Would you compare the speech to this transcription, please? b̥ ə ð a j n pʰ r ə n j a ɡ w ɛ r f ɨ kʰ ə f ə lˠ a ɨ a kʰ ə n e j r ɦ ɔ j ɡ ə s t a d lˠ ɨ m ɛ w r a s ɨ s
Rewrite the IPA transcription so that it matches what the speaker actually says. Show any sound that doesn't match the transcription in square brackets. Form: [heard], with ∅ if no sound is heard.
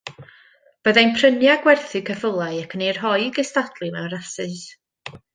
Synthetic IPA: b̥ ə ð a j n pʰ r ə n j a ɡ w ɛ r [θ] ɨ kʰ ə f ə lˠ a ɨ a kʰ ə n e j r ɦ ɔ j ɡ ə s t a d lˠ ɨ m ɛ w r a s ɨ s

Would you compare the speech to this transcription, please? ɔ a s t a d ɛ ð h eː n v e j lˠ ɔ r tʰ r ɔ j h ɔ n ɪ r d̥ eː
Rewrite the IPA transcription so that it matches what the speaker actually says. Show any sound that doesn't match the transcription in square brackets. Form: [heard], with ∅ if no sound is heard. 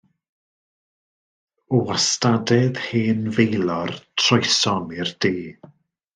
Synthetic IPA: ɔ a s t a d ɛ ð h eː n v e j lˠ ɔ r tʰ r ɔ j [s] ɔ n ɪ r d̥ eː

